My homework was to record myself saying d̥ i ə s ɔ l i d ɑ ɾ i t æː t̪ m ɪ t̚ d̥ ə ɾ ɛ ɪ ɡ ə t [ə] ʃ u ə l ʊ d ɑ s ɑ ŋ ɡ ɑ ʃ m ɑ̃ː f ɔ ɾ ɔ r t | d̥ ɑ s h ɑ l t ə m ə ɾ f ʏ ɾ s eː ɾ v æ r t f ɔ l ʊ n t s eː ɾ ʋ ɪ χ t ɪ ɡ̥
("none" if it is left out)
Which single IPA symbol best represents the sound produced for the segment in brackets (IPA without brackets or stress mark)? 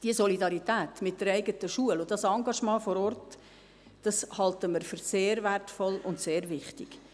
ə